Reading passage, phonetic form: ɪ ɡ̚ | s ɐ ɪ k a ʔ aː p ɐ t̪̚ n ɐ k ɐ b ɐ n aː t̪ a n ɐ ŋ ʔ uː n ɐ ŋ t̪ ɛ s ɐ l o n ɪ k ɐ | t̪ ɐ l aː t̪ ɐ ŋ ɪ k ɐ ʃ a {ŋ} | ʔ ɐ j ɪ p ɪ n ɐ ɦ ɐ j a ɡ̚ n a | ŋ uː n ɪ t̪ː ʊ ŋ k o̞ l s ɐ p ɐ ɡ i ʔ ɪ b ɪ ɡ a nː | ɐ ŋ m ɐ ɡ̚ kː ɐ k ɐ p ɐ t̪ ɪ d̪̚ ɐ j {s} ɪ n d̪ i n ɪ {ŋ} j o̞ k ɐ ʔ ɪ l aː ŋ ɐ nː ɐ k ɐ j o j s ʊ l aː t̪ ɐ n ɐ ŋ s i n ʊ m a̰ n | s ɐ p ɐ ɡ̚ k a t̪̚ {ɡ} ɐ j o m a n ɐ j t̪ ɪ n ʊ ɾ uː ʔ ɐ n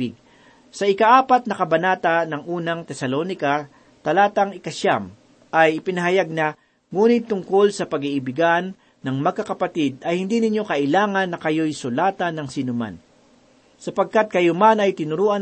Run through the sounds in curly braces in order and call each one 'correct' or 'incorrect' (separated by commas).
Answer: incorrect, incorrect, incorrect, incorrect